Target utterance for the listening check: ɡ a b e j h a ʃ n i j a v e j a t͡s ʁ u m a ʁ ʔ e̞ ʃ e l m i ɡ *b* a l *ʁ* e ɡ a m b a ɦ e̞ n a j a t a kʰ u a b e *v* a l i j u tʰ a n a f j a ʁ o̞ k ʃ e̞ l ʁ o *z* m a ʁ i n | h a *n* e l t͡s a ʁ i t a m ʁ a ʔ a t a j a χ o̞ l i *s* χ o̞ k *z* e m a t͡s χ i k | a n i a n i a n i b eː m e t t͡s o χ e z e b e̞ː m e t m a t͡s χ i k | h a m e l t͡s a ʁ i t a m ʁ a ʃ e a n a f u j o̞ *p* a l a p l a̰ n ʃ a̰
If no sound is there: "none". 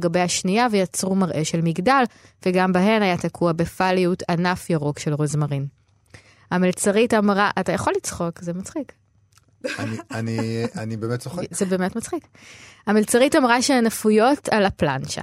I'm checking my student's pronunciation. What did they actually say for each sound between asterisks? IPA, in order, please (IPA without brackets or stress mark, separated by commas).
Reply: d, v, f, z, m, t͡s, z, t